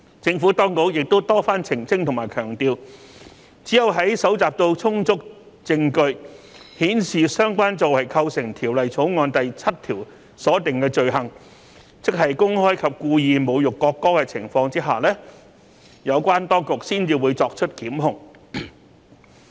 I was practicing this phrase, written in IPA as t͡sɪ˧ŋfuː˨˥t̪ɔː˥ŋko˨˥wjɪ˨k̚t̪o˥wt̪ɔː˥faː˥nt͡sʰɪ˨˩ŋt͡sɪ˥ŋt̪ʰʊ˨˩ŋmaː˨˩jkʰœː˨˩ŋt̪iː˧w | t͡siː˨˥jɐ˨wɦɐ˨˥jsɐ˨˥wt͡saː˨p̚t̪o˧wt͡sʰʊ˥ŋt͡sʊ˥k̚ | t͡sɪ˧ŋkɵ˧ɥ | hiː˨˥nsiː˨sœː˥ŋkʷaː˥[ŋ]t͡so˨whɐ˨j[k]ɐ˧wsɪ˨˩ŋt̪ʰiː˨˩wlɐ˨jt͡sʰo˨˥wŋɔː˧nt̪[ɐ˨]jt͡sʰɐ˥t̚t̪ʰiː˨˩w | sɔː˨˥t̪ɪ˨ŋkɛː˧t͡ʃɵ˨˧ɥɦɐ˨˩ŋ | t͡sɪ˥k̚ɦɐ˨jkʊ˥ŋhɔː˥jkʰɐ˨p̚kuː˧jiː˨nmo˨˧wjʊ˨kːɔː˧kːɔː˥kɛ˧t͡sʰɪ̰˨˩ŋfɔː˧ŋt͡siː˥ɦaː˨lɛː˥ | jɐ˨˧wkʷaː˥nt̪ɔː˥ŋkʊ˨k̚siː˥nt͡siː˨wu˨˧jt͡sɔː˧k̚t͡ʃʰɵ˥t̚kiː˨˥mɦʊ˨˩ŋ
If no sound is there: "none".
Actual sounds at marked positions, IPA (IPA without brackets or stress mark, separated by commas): n, kʰ, ɐ˨